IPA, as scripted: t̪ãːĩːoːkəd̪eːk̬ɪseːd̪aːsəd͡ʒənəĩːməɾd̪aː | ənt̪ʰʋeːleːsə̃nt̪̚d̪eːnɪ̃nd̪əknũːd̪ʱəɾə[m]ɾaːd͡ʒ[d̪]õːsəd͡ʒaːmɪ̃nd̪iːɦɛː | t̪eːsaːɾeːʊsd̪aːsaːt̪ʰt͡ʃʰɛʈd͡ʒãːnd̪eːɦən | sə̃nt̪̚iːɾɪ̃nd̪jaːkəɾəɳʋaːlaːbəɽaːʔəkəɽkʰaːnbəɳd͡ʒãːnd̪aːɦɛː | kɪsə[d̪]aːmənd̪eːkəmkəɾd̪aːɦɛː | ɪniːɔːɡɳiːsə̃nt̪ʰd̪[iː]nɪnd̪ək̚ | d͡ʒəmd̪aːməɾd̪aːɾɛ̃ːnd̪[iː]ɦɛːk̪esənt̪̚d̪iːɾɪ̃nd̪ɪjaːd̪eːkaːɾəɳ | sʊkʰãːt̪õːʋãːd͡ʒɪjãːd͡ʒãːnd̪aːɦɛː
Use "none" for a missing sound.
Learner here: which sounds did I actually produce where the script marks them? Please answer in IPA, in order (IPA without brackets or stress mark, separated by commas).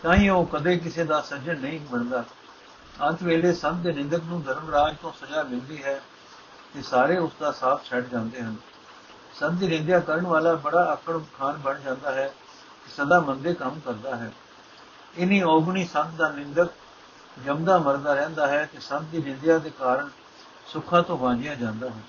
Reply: m, t̪, d̪, aː, aː